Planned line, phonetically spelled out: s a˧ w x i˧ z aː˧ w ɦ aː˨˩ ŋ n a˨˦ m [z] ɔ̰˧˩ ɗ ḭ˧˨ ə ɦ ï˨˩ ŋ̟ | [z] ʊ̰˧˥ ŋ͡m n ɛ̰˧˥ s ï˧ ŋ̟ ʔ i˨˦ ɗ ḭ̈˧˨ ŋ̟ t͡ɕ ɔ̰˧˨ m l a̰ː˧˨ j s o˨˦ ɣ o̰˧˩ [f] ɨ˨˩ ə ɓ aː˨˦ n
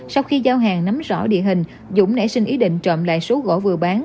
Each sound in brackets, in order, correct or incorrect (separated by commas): correct, correct, incorrect